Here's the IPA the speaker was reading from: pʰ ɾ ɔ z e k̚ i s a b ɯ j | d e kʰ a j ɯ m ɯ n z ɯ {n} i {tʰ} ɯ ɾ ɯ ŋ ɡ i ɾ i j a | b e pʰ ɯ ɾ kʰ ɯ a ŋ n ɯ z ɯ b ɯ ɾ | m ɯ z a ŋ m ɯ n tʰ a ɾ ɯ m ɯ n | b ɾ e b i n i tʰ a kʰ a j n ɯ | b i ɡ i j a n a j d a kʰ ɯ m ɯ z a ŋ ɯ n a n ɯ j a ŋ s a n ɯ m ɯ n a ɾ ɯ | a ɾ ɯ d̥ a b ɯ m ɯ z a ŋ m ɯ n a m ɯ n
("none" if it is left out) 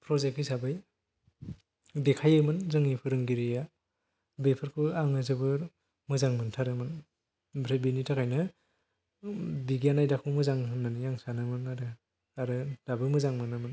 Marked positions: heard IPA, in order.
ŋ, pʰ

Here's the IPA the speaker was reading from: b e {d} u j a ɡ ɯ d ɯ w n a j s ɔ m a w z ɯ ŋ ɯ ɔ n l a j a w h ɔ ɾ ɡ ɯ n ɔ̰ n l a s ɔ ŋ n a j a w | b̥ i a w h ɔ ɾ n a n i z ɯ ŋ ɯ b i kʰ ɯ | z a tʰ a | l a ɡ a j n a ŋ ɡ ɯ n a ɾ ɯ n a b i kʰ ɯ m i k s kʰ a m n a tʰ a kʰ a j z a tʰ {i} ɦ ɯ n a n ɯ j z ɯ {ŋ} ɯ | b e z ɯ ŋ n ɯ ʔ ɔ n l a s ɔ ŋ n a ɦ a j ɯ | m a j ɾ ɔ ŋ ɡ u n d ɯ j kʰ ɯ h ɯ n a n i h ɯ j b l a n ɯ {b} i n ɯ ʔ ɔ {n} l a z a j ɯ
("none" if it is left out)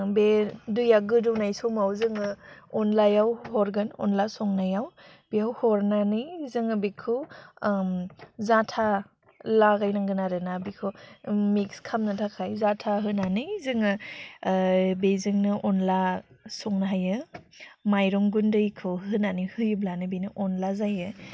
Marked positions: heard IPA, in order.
d, a, ŋ, b, n

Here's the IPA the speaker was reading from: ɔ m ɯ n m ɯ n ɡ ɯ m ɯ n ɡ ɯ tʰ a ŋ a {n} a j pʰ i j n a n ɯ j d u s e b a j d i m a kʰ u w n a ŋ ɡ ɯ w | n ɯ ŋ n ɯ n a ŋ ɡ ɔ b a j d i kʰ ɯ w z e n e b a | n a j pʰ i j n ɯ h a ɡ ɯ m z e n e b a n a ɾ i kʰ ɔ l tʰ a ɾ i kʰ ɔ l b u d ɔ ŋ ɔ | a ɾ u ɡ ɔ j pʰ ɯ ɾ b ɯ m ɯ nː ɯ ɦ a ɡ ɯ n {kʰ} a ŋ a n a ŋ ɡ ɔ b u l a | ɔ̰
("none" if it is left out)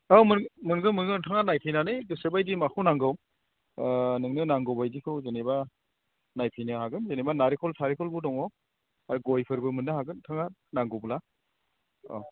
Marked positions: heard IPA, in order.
n, tʰ

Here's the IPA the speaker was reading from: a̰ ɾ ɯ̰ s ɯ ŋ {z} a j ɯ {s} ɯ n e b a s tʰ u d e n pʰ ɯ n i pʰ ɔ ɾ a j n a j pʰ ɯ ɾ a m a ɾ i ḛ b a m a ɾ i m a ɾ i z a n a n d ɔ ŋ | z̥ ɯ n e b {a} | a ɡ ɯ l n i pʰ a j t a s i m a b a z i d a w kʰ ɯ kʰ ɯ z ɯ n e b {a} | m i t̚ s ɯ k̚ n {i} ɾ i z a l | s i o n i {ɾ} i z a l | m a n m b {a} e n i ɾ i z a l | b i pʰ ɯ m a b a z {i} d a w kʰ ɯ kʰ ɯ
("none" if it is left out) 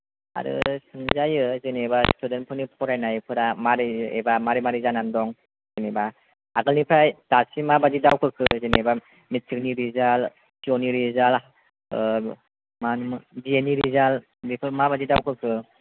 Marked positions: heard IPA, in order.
z, z, a, a, i, ɾ, i, i

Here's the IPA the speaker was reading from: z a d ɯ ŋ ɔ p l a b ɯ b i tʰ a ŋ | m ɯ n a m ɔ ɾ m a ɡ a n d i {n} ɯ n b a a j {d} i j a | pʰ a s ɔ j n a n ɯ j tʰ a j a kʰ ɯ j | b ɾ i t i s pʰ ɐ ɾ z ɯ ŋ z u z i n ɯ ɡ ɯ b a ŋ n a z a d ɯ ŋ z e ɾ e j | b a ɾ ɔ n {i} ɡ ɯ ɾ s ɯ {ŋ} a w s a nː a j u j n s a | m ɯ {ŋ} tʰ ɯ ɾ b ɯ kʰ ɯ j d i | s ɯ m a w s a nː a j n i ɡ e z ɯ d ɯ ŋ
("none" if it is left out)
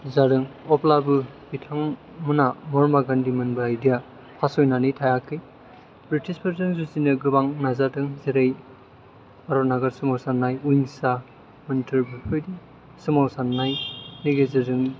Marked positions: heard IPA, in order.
m, d, a, m, n

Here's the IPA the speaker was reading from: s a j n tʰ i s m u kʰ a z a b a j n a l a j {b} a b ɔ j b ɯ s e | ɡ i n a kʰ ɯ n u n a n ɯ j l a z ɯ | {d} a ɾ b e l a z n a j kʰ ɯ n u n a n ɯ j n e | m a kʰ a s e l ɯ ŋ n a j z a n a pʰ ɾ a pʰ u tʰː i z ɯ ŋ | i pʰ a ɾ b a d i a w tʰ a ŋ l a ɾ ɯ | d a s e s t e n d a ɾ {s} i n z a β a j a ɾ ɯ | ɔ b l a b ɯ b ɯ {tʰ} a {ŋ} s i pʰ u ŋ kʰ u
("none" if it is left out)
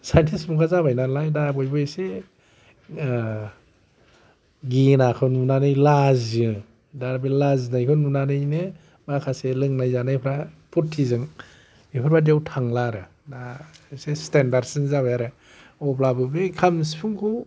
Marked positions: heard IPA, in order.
d, d, s, kʰ, m

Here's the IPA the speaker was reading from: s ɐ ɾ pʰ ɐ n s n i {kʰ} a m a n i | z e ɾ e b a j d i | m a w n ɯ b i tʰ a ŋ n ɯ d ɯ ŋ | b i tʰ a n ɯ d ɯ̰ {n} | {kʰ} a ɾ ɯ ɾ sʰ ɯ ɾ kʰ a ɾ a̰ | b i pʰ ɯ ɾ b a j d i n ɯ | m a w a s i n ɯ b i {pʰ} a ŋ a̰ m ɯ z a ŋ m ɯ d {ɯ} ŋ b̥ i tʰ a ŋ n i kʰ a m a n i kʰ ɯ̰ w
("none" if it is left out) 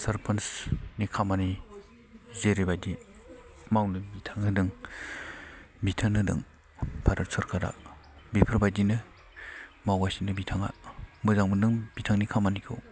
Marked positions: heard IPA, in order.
kʰ, ŋ, pʰ, tʰ, ɯ

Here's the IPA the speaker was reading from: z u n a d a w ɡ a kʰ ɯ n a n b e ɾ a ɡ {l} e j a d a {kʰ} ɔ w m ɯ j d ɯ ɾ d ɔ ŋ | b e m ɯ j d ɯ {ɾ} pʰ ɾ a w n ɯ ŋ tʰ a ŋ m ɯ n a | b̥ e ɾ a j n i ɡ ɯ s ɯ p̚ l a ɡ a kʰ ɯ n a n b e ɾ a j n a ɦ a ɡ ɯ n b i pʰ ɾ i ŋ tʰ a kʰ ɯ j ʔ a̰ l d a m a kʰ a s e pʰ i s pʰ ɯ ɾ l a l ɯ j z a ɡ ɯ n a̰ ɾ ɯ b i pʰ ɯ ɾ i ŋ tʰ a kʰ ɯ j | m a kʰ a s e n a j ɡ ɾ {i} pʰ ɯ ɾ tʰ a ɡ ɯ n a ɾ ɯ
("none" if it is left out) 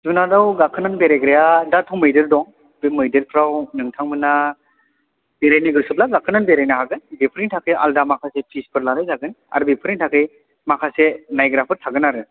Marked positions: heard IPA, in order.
ɾ, tʰ, ɾ, a

